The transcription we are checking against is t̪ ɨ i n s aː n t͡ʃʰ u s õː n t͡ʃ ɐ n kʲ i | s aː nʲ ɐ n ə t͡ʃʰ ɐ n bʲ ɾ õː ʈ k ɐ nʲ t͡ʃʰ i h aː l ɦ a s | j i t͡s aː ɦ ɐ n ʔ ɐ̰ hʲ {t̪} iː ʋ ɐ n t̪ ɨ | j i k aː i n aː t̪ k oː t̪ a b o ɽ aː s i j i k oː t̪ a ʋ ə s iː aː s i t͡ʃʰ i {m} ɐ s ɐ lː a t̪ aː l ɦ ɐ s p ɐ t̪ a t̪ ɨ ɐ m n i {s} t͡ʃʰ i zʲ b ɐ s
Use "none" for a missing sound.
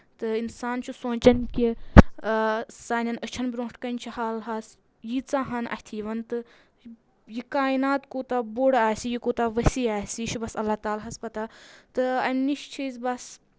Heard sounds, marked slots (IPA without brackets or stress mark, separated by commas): t̪ʰ, b, ʃ